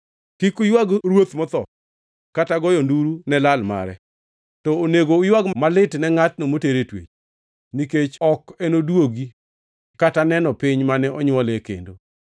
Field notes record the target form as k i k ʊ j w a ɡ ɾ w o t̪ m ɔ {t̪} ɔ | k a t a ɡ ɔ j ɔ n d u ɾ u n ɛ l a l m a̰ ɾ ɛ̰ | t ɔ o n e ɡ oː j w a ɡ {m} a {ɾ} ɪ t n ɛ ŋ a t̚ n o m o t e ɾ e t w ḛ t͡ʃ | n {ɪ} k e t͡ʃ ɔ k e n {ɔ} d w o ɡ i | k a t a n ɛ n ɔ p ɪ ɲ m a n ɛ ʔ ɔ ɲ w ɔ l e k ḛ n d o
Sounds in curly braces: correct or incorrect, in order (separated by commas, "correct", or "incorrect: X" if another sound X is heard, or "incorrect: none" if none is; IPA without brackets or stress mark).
correct, correct, incorrect: l, incorrect: i, incorrect: o